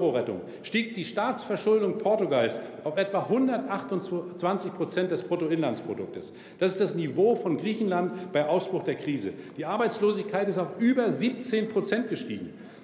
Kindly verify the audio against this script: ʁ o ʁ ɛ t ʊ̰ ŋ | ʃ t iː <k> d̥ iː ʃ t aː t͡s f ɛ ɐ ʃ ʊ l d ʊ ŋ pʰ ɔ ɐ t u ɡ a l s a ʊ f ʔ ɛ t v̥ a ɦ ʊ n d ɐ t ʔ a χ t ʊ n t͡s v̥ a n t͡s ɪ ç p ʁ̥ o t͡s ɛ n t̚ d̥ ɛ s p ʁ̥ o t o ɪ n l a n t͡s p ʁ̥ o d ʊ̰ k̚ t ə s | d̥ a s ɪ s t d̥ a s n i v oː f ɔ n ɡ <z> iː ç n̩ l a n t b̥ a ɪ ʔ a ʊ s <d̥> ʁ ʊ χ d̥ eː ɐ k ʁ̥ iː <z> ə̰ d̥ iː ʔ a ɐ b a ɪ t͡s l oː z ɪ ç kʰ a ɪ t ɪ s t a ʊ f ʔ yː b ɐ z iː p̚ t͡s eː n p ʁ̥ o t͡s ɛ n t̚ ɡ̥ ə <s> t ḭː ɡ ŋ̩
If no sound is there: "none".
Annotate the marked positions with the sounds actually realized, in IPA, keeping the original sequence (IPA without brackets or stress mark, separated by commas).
k, ʁ, b̥, z, ʃ